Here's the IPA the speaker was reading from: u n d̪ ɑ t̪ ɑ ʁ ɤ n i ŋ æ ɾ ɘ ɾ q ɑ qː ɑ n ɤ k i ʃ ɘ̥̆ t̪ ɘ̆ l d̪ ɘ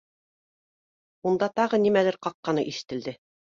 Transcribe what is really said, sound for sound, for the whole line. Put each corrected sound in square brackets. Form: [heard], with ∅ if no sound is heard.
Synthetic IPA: u n d̪ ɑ t̪ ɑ ʁ ɤ n i [m] æ [l] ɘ ɾ q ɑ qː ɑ n ɤ [ʔ] i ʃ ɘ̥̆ t̪ ɘ̆ l d̪ ɘ